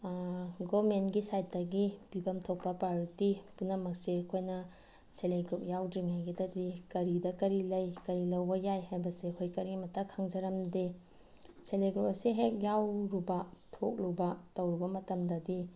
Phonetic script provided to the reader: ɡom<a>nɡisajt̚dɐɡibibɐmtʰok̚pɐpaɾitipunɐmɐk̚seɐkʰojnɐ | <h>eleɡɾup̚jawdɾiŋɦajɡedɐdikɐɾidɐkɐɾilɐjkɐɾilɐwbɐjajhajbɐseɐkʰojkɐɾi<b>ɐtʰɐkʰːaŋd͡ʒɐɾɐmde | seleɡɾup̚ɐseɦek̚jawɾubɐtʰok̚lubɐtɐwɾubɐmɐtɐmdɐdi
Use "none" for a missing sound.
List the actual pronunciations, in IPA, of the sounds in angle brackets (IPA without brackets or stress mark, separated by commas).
e, s, m